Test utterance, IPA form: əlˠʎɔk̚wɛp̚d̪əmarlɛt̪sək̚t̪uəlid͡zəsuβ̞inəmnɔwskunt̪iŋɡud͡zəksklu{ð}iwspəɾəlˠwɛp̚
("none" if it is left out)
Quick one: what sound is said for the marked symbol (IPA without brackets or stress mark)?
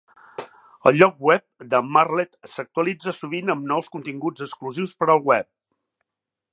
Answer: z